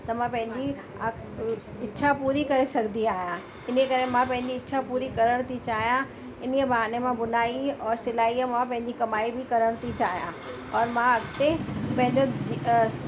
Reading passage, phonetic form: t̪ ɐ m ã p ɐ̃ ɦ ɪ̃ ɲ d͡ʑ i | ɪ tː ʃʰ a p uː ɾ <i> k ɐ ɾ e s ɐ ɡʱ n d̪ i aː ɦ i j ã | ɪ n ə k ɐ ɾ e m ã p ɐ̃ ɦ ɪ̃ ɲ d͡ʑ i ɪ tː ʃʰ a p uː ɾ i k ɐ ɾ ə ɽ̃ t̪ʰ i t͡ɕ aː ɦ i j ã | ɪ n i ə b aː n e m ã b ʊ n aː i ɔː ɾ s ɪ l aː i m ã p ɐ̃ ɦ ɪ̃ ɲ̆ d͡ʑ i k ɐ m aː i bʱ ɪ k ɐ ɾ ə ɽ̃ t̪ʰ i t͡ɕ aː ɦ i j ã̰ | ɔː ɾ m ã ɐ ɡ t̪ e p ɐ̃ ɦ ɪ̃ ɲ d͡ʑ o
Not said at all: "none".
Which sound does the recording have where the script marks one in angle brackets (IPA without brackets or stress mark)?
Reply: i